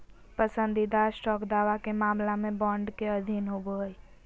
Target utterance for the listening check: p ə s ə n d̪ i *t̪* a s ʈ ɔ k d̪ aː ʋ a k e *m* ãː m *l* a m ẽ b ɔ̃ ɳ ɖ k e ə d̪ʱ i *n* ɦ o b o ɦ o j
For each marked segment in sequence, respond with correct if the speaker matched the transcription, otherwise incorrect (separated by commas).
incorrect, correct, correct, correct